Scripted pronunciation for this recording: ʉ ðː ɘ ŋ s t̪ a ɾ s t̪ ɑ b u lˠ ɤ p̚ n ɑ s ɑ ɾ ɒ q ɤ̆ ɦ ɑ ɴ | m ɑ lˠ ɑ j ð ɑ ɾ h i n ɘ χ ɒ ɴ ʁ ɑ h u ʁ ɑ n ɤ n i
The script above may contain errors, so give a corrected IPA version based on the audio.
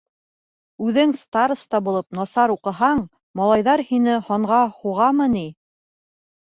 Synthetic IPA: ʉ ð ɘ ŋ s t̪ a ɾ s t̪ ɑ b u lˠ ɤ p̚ n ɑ s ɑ ɾ u q ɤ̆ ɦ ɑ ɴ | m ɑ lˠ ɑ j ð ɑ ɾ h i n ɘ h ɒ ɴ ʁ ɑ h u ʁ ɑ m ɤ n i